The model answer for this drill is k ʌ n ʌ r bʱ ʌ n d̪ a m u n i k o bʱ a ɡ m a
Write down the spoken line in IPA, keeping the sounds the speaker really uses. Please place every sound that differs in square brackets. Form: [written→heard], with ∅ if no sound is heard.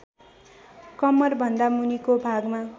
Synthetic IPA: k ʌ [n→m] ʌ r bʱ ʌ n d̪ a m u n i k o bʱ a ɡ m a